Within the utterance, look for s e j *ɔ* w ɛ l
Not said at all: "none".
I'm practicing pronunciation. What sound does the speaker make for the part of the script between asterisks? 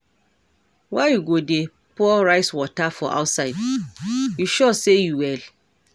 u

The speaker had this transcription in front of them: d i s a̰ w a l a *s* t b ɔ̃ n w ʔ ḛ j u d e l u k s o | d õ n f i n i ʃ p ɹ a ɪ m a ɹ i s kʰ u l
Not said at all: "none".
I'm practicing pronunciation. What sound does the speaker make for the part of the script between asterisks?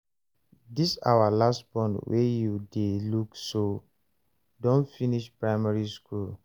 s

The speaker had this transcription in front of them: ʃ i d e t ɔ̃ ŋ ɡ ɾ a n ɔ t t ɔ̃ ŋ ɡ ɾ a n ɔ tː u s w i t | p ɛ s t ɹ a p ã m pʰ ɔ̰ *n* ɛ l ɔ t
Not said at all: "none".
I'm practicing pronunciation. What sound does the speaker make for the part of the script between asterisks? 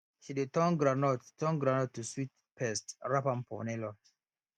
n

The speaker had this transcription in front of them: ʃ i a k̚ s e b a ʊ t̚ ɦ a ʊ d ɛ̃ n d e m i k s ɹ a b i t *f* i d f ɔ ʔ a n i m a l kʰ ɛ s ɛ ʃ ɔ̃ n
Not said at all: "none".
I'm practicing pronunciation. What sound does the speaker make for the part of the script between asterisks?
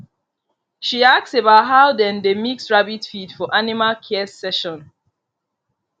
f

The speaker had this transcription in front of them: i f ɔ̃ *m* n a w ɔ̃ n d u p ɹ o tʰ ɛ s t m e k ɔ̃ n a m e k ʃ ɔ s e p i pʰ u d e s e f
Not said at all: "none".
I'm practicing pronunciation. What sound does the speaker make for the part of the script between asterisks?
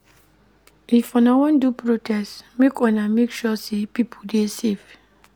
none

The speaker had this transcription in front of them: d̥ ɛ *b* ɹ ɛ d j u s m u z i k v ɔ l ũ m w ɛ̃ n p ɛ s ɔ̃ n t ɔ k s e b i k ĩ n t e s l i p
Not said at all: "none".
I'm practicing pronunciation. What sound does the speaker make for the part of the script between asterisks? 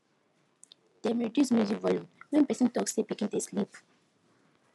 m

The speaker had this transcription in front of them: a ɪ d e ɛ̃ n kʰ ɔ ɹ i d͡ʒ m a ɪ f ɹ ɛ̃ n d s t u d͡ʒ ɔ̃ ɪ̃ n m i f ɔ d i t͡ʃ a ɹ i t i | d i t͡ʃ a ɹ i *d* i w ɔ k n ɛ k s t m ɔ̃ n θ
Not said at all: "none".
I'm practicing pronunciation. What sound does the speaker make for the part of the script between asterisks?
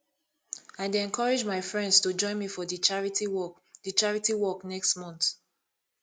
t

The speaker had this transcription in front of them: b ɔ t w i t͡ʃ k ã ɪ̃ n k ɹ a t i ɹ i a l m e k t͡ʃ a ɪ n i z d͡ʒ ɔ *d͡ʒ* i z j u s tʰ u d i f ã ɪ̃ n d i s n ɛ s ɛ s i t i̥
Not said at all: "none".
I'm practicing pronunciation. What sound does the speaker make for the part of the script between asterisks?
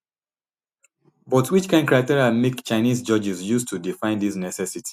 d͡ʒ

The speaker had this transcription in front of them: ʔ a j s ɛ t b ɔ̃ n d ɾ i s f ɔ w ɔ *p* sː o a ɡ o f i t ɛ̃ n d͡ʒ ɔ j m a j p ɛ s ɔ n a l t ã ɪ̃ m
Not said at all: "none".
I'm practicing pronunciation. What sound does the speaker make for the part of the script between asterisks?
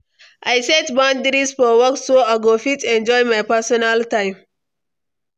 k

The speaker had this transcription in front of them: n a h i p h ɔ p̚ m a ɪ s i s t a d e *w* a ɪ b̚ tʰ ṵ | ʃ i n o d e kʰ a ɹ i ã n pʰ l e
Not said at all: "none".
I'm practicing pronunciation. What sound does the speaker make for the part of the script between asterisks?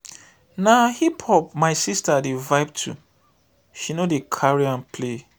v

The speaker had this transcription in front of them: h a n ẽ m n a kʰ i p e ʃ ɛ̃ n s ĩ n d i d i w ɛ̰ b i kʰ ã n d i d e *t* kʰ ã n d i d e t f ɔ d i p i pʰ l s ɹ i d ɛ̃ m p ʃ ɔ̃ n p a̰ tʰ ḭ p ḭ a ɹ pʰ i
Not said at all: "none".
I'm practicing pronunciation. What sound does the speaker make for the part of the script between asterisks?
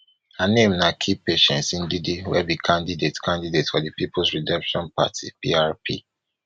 t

